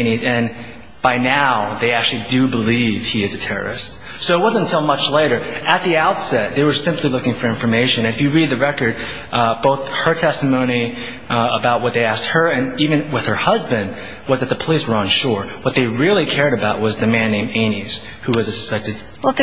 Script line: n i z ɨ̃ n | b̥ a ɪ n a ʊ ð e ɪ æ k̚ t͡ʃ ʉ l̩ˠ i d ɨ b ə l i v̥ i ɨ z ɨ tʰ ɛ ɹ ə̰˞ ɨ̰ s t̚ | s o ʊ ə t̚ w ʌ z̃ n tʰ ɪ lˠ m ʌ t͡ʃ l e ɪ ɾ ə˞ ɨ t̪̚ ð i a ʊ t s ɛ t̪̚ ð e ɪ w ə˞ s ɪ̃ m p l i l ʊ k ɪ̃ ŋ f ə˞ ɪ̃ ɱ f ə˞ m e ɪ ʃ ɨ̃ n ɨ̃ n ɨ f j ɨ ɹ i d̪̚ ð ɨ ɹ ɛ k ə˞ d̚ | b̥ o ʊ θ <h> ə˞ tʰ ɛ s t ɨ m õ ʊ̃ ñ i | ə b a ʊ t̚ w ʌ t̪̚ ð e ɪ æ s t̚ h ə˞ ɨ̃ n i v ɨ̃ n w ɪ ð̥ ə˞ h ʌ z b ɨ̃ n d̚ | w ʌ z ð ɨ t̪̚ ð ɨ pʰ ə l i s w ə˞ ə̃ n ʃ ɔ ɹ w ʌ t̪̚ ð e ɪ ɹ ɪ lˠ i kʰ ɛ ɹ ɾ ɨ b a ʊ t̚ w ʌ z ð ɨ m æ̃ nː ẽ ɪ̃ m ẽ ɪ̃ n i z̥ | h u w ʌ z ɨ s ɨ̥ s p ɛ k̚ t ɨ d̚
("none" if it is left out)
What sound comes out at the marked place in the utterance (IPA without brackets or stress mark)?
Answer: h